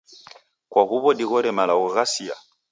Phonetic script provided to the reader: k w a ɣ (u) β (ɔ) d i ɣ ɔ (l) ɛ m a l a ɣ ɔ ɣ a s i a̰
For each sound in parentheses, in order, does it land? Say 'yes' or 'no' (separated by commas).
yes, yes, no